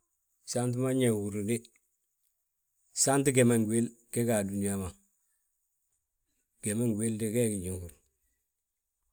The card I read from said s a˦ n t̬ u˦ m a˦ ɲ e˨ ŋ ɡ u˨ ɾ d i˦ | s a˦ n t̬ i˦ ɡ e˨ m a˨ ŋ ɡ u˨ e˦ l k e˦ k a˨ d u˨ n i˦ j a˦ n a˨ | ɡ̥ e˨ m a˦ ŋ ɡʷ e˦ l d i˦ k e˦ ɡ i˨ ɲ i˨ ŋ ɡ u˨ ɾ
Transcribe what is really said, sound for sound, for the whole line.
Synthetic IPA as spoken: s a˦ n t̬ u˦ m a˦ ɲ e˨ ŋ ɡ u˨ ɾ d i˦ | s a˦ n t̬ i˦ ɡ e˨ m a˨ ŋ ɡ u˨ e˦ l k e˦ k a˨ d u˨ n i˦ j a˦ m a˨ | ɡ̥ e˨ m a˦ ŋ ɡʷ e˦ l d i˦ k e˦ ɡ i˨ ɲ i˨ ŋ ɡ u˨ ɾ

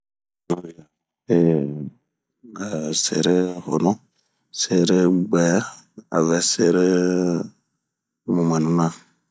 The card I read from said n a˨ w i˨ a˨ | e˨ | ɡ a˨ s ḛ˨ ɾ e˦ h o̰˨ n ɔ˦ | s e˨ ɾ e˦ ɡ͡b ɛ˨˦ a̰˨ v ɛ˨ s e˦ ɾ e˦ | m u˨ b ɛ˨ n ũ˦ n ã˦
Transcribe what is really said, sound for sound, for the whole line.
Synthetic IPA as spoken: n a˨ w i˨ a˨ | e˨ | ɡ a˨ s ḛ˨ ɾ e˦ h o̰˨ n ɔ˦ | s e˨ ɾ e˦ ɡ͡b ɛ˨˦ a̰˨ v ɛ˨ s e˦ ɾ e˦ | m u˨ m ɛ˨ n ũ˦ n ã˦

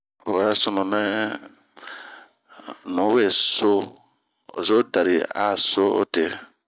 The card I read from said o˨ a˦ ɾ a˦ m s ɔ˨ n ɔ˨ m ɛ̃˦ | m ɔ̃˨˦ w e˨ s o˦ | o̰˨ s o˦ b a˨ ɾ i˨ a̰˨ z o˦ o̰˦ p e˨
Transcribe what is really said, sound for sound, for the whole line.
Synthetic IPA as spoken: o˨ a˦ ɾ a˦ s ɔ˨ n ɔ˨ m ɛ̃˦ | n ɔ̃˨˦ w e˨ s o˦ | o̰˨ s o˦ d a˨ ɾ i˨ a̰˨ s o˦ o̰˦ t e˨

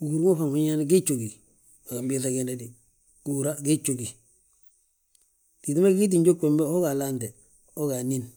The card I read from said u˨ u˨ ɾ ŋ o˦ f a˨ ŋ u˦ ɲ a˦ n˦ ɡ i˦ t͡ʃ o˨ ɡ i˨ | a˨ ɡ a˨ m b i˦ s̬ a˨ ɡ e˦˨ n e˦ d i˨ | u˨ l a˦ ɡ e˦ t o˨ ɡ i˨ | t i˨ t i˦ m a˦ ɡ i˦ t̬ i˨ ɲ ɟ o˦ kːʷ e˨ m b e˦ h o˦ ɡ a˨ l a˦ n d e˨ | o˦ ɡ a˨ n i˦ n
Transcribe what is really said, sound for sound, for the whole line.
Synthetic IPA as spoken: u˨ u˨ ɾ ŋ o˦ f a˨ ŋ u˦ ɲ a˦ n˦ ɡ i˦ t͡ʃ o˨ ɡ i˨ | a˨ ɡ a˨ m b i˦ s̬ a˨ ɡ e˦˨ n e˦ d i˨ | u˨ ɾ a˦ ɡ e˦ t͡ʃ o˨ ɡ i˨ | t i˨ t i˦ m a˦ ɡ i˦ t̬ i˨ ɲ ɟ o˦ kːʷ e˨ m b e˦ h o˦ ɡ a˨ l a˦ n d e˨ | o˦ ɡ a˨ n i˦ n

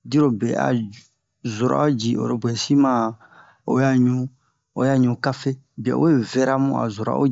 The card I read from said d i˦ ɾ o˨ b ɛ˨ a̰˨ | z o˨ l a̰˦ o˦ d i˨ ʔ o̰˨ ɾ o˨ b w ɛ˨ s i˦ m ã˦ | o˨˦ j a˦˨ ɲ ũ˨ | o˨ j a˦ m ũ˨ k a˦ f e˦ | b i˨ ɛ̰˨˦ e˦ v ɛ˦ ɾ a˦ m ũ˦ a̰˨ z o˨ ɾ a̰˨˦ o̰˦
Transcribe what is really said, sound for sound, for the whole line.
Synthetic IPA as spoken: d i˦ ɾ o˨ b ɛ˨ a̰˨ | z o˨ ɾ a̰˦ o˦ d͡ʒ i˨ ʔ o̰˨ ɾ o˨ b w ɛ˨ s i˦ m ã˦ | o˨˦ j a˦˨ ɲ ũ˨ | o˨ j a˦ ɲ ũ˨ k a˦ f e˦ | b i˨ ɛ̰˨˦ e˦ v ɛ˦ ɾ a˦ m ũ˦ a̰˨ z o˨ ɾ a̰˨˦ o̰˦

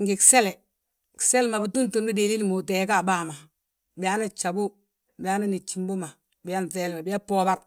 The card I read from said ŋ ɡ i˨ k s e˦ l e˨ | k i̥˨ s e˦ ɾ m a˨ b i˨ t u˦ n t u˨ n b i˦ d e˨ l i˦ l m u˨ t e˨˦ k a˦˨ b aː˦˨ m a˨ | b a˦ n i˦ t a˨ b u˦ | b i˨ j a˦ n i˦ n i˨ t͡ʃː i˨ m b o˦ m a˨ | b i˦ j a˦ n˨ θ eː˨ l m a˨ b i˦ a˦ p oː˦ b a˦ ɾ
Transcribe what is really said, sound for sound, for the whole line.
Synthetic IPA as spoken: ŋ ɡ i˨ k s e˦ l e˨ | k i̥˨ s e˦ l m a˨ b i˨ t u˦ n t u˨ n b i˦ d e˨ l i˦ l m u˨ t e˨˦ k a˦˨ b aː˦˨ m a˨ | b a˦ n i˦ t͡ʃ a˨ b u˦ | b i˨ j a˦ n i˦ n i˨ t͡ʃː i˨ m b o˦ m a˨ | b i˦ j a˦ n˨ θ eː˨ l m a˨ b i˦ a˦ p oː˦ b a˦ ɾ

